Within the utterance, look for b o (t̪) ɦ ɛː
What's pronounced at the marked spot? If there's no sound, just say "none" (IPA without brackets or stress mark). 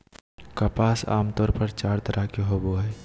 none